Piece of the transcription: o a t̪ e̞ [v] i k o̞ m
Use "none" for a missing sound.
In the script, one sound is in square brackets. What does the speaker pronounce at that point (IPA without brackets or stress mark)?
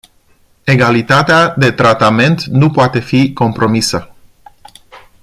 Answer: f